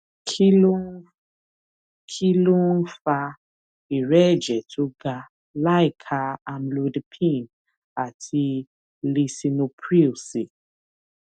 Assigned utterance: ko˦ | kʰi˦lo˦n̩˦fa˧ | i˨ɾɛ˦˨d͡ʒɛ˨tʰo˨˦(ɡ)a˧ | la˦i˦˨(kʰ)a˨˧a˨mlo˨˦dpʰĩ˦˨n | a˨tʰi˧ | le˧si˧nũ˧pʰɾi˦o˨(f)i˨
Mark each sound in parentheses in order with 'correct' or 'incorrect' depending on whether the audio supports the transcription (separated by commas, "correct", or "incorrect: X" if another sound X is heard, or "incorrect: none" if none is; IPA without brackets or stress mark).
correct, correct, incorrect: s